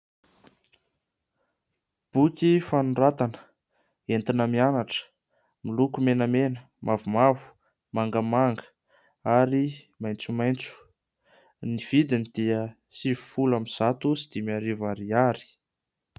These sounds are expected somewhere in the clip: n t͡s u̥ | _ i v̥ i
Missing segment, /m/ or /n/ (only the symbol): n